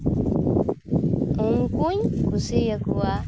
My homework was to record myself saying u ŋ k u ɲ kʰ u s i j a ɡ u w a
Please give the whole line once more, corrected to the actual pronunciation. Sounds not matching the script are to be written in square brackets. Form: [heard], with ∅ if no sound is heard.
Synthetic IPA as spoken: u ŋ k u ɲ [k] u s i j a [k] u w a